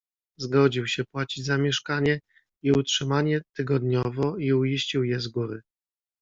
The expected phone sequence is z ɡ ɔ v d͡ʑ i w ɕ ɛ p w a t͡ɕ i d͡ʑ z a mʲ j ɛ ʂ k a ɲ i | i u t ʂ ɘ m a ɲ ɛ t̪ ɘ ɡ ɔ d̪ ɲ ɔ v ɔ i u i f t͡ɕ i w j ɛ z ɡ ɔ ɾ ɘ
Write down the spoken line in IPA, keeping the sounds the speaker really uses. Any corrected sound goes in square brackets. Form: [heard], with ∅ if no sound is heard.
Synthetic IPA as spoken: z ɡ ɔ [∅] d͡ʑ i w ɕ ɛ p w a t͡ɕ i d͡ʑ z a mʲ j ɛ ʂ k a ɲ [ɛ] | i u t ʂ ɘ m a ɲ ɛ t̪ ɘ ɡ ɔ d̪ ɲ ɔ v ɔ i u i [ɕ] t͡ɕ i w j ɛ z ɡ [u] ɾ ɘ

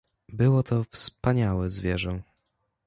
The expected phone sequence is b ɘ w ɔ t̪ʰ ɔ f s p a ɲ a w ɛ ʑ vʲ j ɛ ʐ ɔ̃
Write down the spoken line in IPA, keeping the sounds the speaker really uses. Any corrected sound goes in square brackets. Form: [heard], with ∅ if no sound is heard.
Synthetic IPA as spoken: b ɘ w ɔ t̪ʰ ɔ f s p a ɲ a w ɛ [z] vʲ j ɛ ʐ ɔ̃

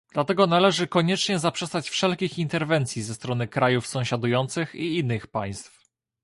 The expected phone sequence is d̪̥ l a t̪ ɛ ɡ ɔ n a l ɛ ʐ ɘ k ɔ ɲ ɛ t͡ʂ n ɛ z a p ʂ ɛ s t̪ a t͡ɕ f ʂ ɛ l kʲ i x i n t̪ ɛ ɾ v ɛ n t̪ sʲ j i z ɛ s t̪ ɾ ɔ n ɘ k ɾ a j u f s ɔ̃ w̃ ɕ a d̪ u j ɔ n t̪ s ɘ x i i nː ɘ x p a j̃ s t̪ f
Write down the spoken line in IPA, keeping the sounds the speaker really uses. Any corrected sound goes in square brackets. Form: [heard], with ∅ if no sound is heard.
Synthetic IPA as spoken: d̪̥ l a t̪ ɛ ɡ ɔ n a l ɛ ʐ ɘ k ɔ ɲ ɛ t͡ʂ [ɲ] ɛ z a p ʂ ɛ s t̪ a t͡ɕ f ʂ ɛ l kʲ i x i n t̪ ɛ ɾ v ɛ n t̪ sʲ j i z ɛ s t̪ ɾ ɔ n ɘ k ɾ a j u f s ɔ̃ w̃ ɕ a d̪ u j ɔ n t̪ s ɘ x i i nː ɘ x p a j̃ s t̪ f

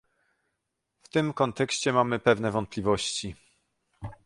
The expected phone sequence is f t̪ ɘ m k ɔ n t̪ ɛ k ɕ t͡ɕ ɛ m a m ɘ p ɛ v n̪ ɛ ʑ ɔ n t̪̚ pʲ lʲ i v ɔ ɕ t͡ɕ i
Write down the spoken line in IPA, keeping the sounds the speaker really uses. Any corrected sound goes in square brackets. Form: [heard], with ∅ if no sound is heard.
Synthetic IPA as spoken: f t̪ ɘ m k ɔ n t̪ ɛ k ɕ t͡ɕ ɛ m a m ɘ p ɛ v n̪ ɛ [v] ɔ n t̪̚ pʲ lʲ i v ɔ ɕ t͡ɕ i

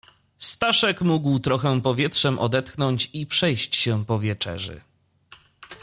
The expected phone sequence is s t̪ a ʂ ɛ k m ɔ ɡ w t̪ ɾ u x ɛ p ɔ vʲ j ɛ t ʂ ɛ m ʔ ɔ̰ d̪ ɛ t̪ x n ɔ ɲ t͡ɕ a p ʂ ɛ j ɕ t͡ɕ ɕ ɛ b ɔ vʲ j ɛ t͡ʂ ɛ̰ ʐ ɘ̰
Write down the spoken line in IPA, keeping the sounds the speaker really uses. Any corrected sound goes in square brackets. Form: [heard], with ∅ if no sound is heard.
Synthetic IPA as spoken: s t̪ a ʂ ɛ k m [u] ɡ w t̪ ɾ [ɔ] x ɛ p ɔ vʲ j ɛ t ʂ ɛ m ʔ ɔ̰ d̪ ɛ t̪ x n ɔ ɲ t͡ɕ [i] p ʂ ɛ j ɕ t͡ɕ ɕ ɛ [p] ɔ vʲ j ɛ t͡ʂ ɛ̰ ʐ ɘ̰

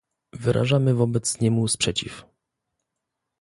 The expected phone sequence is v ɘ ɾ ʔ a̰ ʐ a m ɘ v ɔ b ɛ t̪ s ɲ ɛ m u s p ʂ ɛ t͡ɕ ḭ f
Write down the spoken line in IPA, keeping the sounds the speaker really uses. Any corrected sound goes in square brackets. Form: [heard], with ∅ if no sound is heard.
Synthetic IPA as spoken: v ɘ ɾ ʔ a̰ ʐ a m ɘ v ɔ b ɛ t̪ s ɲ ɛ m u s p ʂ ɛ t͡ɕ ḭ f

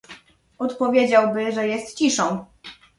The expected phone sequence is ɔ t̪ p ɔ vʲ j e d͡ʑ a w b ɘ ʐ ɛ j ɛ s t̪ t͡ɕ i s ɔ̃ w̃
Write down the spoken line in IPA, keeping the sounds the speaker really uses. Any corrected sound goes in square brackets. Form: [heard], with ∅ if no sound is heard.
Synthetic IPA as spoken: ɔ t̪ p ɔ vʲ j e d͡ʑ a w b ɘ ʐ ɛ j ɛ s t̪ t͡ɕ i [ʂ] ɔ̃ w̃

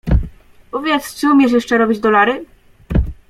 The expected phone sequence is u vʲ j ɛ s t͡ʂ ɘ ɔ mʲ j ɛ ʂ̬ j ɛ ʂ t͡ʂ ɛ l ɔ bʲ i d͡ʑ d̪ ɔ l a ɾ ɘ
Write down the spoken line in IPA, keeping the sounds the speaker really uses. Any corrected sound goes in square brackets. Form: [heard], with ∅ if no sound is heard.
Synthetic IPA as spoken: u vʲ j ɛ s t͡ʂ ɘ [u] mʲ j ɛ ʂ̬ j ɛ ʂ t͡ʂ ɛ [ɾ] ɔ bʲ i d͡ʑ d̪ ɔ l a ɾ ɘ

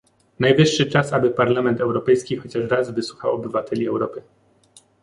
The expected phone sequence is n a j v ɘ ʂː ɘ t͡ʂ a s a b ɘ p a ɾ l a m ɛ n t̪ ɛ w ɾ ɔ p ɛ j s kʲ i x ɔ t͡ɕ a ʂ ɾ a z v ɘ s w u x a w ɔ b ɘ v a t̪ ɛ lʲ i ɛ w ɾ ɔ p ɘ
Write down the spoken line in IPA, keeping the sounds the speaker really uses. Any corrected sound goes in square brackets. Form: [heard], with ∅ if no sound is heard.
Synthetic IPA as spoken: n a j v ɘ ʂː ɘ t͡ʂ a s a b ɘ p a ɾ l a m ɛ n t̪ ɛ w ɾ ɔ p ɛ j s kʲ i x ɔ t͡ɕ a ʂ ɾ a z v ɘ s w u x a w ɔ b ɘ v a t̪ ɛ lʲ i ɛ w ɾ ɔ p ɘ

